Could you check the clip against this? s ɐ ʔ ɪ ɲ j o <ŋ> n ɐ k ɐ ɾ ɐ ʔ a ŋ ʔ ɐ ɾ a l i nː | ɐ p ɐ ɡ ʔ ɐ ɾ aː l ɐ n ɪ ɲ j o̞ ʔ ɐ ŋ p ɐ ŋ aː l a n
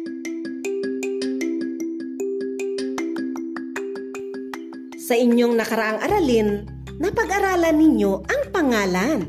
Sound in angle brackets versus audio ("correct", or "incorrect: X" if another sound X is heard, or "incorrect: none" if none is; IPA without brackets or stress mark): correct